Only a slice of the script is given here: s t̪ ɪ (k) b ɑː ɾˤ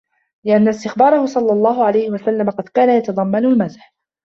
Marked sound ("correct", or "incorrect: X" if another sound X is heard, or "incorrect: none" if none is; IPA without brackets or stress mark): incorrect: x